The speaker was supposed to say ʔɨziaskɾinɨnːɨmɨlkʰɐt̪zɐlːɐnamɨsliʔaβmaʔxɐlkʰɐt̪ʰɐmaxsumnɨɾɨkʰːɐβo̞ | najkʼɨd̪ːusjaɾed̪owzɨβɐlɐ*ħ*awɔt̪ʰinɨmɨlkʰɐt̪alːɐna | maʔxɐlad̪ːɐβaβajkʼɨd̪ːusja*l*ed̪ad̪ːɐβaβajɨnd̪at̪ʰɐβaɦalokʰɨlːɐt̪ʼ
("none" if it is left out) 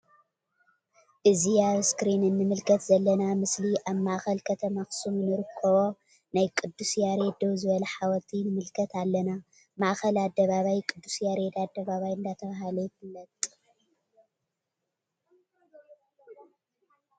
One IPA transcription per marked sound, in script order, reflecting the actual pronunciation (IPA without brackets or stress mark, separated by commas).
ħ, ɾ